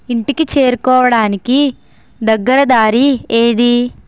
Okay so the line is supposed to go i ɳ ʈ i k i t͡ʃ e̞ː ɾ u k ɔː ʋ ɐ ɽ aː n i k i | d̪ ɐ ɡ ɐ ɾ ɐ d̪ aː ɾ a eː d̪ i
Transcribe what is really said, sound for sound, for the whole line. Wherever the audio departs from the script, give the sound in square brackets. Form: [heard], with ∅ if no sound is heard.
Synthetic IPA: i ɳ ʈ i k i t͡ʃ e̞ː ɾ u k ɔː ʋ ɐ ɽ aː n i k i | d̪ ɐ [ɡː] ɐ ɾ ɐ d̪ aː ɾ [i] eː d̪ i